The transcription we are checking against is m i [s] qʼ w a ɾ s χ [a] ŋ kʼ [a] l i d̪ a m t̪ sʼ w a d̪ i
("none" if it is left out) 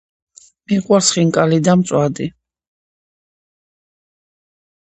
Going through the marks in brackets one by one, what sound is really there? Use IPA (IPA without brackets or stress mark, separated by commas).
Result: none, i, a